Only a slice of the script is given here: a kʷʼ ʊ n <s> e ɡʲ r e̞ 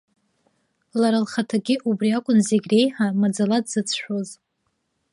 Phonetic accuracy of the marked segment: incorrect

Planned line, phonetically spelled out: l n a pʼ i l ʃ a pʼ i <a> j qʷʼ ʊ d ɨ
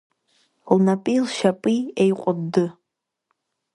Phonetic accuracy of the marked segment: incorrect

